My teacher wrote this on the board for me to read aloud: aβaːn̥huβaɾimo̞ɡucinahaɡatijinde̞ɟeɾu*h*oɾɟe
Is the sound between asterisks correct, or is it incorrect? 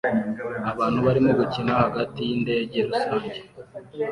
incorrect